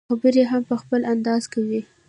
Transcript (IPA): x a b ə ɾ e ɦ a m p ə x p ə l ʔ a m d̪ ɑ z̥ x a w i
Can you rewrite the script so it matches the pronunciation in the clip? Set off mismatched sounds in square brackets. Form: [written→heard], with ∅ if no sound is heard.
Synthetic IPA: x a b ə ɾ e ɦ a m p ə x p ə l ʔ a [m→n] d̪ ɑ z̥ [x→k] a w i